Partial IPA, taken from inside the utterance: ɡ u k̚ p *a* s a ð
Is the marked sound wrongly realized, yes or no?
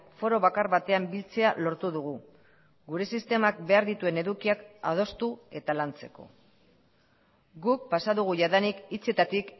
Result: no